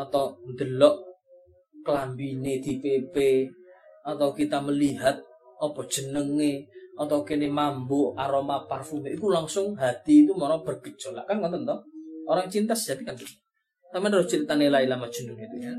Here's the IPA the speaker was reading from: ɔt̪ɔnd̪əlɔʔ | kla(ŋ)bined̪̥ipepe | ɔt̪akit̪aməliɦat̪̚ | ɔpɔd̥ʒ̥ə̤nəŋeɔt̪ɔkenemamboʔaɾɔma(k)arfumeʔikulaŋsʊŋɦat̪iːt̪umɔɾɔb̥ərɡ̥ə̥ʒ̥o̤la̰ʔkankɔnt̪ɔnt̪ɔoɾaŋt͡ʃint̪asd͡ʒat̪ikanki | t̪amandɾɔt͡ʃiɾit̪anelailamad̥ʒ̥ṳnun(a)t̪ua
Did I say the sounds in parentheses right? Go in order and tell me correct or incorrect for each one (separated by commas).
incorrect, incorrect, incorrect